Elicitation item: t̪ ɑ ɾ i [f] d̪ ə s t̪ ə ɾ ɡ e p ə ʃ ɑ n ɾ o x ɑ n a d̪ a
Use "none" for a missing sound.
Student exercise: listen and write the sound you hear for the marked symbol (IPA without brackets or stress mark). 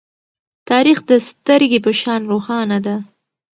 x